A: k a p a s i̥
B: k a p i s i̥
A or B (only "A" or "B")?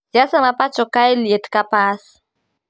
A